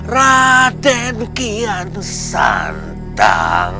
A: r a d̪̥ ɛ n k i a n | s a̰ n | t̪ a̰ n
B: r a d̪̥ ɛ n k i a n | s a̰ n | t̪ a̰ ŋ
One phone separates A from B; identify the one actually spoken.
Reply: B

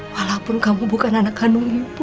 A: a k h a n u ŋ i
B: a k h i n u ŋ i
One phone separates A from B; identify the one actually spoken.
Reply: A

